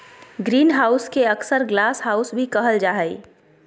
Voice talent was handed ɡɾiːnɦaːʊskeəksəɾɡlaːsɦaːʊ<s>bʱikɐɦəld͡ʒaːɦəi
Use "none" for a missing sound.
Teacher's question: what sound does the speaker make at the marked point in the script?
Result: s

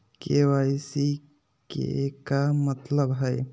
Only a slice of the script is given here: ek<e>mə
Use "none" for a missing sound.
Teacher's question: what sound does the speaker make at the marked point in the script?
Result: a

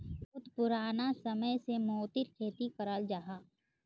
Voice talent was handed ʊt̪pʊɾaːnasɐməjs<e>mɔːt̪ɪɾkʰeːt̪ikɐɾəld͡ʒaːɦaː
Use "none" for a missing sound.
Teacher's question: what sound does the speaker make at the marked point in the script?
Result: e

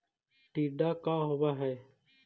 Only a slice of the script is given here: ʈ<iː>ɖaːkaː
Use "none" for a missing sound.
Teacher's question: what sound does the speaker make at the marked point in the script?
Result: iː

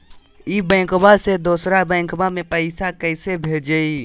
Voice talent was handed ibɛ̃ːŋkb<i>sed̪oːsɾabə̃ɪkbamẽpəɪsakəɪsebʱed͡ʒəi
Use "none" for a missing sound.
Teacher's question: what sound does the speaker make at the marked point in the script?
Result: a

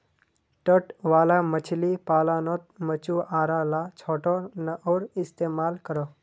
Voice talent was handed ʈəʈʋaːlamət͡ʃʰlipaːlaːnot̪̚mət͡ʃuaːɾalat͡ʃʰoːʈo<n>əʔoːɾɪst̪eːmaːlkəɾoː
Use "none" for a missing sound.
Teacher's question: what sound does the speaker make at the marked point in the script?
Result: n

